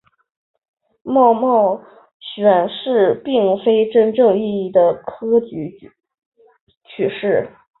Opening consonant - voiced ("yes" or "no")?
yes